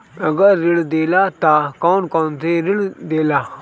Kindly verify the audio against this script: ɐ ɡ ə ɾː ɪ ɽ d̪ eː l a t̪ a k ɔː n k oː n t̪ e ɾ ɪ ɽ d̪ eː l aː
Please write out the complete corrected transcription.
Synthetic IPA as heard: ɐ ɡ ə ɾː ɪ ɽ d̪ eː l a t̪ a k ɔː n k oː n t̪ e ɾ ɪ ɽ d̪ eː l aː